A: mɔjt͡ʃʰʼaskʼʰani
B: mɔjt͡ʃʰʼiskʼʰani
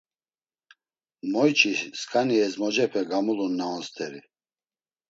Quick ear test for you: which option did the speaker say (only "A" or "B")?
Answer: B